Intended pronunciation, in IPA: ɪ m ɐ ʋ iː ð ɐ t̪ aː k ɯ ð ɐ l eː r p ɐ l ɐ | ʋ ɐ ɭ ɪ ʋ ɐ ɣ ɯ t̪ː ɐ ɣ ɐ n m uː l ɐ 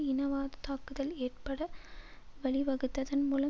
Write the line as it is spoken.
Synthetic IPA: ɪ n ɐ ʋ aː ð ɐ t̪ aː k ɯ ð ɐ l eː r p ɐ ɽ ɐ | ʋ ɐ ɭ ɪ ʋ ɐ ɣ ɯ t̪ː ɐ ð ɐ n m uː l ɐ